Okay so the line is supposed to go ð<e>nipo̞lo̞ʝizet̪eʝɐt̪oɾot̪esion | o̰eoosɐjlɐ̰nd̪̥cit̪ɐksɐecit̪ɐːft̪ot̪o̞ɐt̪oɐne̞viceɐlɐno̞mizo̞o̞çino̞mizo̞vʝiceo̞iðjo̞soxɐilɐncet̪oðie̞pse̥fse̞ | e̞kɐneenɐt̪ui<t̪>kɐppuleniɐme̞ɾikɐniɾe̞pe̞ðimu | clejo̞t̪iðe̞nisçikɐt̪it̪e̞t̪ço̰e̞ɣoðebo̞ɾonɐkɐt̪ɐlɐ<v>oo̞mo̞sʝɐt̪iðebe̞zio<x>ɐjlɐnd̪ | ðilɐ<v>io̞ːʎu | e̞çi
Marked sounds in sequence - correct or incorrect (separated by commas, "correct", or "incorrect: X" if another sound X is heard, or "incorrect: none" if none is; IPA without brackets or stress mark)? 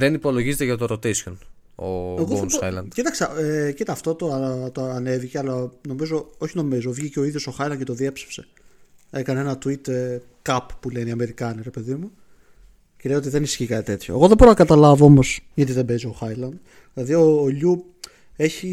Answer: correct, correct, correct, correct, incorrect: ð